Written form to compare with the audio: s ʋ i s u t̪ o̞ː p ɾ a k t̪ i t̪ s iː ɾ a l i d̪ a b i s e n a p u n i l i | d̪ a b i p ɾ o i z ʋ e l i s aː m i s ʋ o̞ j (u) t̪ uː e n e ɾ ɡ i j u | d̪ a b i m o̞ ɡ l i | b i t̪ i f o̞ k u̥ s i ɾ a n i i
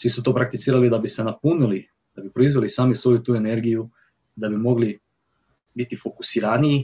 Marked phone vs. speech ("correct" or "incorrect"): correct